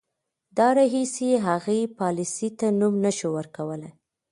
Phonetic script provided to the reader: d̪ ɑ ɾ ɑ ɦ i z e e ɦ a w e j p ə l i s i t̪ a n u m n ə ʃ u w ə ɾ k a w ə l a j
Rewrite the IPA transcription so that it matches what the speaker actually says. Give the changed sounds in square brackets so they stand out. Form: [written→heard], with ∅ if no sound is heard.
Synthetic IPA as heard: d̪ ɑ ɾ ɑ ɦ i [z→s] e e ɦ a [w→ɣ] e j p [ə→ɑ] l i s i t̪ a n u m n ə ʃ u w ə ɾ k a w ə l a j